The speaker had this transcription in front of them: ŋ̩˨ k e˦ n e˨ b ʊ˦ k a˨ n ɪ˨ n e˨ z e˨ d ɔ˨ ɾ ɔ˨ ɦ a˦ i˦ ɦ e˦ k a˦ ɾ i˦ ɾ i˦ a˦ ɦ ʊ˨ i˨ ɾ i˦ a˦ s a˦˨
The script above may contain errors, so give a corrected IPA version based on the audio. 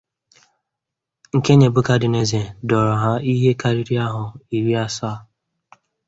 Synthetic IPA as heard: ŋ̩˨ k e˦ ɲ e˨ b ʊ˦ k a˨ d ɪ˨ n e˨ z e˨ d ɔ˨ ɾ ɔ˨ ɦ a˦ i˦ ɦ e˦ k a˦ ɾ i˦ ɾ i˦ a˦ ɦ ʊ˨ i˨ ɾ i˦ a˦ s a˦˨